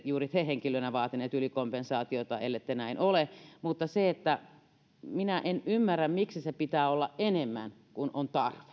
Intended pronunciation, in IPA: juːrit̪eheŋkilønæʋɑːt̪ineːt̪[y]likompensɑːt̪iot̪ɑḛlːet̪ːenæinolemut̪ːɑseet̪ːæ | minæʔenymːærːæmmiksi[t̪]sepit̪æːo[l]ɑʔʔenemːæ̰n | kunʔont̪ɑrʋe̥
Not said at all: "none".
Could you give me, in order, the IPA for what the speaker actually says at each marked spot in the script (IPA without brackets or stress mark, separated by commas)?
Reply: y, none, lː